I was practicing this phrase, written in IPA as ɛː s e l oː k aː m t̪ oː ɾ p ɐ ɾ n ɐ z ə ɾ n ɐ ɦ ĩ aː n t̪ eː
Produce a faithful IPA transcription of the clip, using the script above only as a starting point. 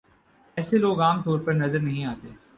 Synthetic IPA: ɛː s e l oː ɡ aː m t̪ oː ɾ p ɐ ɾ n ɐ z ə ɾ n ɐ ɦ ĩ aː t̪ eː